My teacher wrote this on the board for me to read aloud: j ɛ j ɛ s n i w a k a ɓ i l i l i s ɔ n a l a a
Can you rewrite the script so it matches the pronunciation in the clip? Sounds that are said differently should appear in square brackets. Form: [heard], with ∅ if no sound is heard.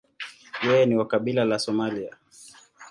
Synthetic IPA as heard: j ɛ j ɛ [∅] n i w a k a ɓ i l [a] l [a] s ɔ [m] a l [i] a